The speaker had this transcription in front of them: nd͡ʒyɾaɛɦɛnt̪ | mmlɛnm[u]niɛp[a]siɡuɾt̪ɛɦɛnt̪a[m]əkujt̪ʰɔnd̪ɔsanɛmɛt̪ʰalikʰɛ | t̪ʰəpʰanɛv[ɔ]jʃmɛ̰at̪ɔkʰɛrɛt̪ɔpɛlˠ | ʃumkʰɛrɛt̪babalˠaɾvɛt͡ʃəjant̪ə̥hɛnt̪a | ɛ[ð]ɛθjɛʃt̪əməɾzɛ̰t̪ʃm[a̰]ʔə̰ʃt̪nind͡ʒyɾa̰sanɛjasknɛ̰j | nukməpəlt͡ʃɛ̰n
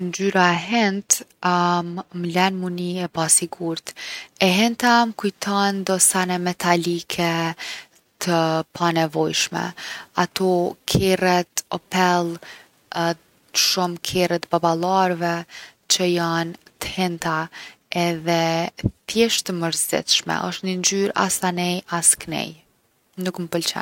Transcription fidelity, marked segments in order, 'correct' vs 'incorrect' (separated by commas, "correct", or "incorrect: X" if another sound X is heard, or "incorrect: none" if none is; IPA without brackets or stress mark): correct, correct, correct, correct, correct, incorrect: ɛ̰